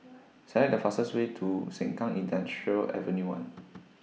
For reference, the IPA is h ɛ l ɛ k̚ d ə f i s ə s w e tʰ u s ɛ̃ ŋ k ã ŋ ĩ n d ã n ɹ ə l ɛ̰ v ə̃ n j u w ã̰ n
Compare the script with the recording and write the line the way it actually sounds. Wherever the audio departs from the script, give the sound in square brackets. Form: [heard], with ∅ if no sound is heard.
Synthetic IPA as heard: [s] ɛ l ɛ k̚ d ə f [a] s ə s w e tʰ u s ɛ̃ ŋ k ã ŋ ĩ n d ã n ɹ ə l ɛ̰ v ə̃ n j u w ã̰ n

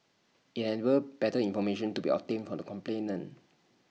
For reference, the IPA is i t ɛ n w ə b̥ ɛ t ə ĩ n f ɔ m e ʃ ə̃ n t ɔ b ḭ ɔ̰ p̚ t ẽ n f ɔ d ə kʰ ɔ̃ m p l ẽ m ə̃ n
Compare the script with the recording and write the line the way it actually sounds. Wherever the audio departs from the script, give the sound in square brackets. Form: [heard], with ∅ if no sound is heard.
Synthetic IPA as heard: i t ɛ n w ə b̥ ɛ t ə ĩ n f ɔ m e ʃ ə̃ n t [u] b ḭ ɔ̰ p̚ t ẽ n f ɔ d ə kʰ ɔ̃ m p l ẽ [n] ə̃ n

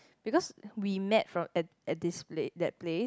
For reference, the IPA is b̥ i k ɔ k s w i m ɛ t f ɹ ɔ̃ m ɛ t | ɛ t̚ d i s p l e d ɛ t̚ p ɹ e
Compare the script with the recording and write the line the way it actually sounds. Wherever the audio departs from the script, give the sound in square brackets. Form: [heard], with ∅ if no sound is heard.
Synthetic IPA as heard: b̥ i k ɔ [∅] s w i m ɛ t f ɹ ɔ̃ m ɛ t | ɛ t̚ d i s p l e d ɛ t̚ p [l] e

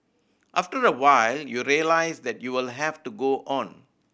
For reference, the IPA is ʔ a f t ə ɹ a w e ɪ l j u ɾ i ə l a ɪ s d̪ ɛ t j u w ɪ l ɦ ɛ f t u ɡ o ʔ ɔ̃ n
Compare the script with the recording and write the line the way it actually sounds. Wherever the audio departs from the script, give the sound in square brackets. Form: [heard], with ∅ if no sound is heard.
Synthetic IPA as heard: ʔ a f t ə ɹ [ə] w [a] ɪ l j u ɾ i ə l a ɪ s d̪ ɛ t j u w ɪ l ɦ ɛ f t u ɡ o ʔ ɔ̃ n

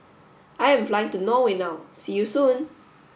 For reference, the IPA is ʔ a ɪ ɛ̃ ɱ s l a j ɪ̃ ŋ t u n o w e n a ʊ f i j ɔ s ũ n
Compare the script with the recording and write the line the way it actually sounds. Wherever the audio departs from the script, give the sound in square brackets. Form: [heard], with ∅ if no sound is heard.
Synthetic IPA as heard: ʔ a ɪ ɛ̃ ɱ [f] l a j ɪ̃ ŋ t u n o w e n a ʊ [s] i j [u] s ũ n

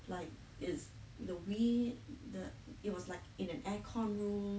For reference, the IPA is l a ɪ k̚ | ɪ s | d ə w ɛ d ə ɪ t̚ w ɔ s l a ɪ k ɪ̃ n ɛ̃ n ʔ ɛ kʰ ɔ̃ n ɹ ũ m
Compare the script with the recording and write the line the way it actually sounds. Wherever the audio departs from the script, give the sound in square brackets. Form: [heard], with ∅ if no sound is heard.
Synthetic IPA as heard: l a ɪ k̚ | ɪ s | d ə w [i] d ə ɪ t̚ w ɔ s l a ɪ k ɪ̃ n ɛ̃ n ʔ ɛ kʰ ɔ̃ n ɹ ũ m

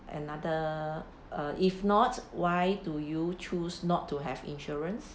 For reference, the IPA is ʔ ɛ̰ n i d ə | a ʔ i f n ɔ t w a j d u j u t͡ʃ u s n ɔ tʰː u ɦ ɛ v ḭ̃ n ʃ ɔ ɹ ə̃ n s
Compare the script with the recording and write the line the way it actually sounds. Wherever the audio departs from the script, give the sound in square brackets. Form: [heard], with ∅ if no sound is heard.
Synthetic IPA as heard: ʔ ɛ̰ n [a] d ə | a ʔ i f n ɔ t w a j d u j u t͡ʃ u s n ɔ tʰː u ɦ ɛ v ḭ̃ n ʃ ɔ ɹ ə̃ n s

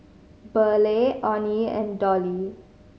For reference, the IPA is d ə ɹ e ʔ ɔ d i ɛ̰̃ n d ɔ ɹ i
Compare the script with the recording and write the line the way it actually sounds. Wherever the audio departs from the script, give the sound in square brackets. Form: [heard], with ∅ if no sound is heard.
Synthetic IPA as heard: [b] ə [l] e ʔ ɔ [n] i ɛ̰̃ n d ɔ [l] i

